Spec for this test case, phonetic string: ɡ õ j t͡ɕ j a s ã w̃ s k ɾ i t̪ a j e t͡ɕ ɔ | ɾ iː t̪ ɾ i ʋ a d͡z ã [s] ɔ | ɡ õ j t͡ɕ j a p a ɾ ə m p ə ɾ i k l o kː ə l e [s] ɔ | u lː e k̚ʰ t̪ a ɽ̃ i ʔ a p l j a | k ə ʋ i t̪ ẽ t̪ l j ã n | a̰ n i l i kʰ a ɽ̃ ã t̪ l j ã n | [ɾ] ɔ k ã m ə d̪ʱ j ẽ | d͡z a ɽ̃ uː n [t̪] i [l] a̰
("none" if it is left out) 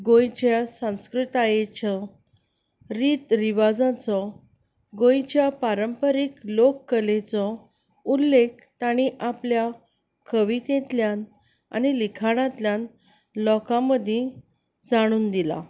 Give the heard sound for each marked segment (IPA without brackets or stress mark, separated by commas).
t͡s, t͡s, l, d̪, l